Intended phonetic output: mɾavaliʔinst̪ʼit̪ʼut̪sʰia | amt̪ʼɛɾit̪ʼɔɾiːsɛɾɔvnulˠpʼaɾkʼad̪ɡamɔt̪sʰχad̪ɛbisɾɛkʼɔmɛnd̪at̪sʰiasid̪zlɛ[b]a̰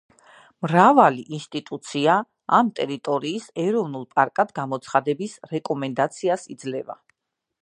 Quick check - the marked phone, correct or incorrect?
incorrect: v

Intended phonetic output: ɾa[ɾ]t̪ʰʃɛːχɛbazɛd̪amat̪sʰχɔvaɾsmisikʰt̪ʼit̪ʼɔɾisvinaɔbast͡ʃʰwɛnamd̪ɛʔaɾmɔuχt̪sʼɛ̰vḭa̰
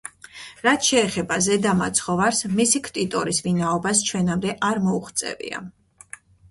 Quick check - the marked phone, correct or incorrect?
incorrect: none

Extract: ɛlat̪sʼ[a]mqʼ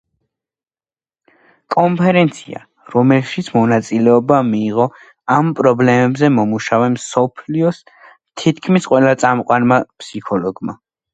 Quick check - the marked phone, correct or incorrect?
correct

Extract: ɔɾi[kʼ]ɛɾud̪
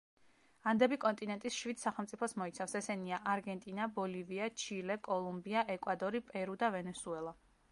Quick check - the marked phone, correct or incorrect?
incorrect: pʼ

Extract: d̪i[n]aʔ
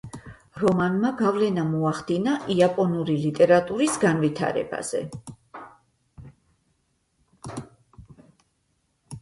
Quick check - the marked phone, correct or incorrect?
correct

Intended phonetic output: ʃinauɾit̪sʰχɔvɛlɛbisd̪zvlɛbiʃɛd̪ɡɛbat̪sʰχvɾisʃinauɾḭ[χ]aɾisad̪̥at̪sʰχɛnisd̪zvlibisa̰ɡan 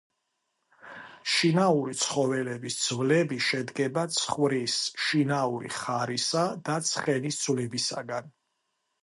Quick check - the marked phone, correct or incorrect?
correct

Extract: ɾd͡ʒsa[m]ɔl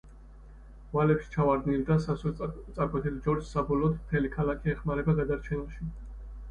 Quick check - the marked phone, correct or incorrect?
incorrect: b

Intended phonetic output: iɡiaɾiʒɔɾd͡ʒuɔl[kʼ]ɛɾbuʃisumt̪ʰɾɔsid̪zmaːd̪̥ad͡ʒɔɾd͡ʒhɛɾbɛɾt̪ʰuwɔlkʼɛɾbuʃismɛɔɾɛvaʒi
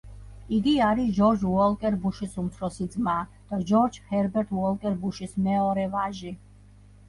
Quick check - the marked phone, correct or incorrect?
correct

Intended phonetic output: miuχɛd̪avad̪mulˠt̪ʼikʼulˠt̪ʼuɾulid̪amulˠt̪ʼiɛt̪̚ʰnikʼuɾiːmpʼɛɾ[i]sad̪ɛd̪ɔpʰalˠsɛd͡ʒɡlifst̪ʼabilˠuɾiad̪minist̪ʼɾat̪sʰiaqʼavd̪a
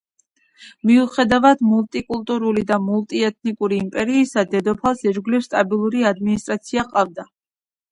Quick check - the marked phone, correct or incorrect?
incorrect: iː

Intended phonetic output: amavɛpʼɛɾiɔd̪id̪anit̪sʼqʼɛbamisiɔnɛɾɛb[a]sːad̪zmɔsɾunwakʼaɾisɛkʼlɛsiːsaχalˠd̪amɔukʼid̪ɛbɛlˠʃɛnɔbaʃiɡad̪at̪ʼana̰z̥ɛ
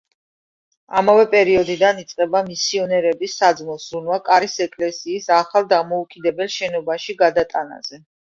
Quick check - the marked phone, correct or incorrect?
incorrect: i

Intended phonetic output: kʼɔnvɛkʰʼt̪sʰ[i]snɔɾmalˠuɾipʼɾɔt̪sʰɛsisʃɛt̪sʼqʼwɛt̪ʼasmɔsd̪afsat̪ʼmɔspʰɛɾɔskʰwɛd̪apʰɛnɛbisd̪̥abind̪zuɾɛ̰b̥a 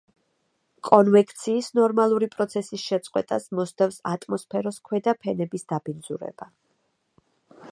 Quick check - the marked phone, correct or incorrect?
incorrect: iː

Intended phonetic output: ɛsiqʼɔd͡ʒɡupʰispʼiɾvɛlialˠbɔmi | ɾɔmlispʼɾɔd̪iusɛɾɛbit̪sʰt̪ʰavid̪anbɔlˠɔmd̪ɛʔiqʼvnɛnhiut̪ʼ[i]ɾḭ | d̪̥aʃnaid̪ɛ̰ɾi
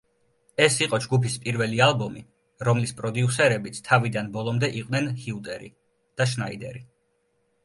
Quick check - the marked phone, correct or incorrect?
incorrect: ɛ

